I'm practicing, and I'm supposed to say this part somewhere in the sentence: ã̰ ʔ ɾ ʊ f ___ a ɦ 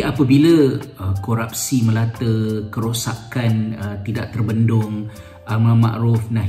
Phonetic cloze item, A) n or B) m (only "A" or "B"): A